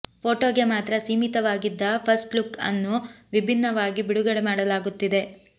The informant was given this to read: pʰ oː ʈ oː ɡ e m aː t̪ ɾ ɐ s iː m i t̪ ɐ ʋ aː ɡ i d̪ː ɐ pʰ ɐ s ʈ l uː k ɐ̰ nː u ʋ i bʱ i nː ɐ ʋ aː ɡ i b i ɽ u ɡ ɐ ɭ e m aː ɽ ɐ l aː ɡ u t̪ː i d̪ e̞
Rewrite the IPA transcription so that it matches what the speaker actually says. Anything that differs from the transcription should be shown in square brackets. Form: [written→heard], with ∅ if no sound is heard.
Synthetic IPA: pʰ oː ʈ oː ɡ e m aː t̪ ɾ ɐ s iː m i t̪ ɐ ʋ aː ɡ i d̪ː ɐ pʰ ɐ s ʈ l [uː→u] k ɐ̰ nː u ʋ i bʱ i nː ɐ ʋ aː ɡ i b i ɽ u ɡ ɐ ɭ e m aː ɽ ɐ l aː ɡ u t̪ː i d̪ e̞